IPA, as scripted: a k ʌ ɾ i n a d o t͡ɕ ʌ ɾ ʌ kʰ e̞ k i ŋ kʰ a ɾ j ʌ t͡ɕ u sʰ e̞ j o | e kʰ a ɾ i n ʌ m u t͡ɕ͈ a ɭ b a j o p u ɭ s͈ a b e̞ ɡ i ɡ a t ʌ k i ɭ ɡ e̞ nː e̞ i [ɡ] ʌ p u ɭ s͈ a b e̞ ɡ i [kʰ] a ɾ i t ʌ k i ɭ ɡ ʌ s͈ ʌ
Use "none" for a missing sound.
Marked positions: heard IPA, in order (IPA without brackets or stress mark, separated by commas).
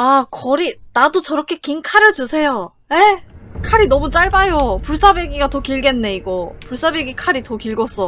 ɡ, kʰ